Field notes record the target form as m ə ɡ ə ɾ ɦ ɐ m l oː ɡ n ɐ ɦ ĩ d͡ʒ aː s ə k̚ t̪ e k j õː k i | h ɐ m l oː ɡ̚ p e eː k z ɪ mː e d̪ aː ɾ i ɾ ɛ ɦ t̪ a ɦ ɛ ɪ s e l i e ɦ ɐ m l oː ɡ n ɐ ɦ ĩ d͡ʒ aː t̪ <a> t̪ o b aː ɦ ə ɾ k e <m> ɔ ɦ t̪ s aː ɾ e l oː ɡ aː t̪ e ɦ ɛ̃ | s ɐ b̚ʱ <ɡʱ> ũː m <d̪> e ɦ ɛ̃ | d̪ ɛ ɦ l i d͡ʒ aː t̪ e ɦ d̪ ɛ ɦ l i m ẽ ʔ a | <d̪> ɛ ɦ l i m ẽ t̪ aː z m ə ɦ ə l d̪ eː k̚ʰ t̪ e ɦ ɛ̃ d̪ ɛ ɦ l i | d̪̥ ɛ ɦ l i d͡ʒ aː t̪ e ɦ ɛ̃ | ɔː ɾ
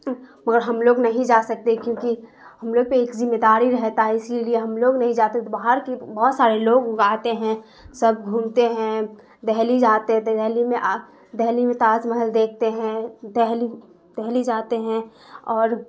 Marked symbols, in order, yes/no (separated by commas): no, no, yes, no, yes